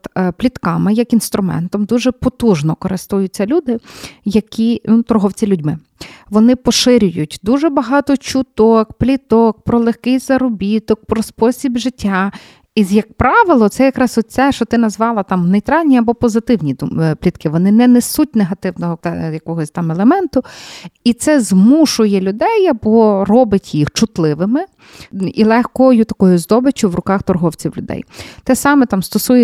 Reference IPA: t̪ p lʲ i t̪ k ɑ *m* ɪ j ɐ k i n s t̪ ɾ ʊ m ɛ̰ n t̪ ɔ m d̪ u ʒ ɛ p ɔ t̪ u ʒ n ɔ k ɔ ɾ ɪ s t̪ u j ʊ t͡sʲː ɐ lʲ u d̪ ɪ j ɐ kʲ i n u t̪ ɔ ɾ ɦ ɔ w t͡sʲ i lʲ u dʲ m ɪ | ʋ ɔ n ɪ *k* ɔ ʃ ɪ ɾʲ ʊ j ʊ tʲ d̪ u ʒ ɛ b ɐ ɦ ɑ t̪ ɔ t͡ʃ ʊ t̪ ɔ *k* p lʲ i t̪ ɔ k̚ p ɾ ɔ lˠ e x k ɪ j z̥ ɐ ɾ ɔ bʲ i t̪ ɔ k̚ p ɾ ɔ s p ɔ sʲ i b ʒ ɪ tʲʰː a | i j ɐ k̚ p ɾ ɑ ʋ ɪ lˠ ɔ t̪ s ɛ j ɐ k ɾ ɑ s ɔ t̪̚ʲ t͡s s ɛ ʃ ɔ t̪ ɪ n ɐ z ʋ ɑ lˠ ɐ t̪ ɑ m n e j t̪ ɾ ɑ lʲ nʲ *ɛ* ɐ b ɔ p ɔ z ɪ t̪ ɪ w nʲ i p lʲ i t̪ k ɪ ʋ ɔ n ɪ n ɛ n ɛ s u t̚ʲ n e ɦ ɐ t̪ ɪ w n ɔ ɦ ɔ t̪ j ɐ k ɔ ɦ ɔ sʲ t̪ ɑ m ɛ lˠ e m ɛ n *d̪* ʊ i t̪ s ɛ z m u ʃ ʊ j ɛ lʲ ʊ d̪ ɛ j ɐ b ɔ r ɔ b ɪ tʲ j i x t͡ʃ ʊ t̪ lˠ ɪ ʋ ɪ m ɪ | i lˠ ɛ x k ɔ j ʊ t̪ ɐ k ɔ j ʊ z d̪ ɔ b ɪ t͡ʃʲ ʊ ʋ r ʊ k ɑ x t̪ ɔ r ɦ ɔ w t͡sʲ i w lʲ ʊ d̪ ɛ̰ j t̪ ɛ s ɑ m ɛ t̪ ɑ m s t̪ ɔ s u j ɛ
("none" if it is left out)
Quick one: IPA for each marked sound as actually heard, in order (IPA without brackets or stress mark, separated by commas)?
m, p, k, i, t̪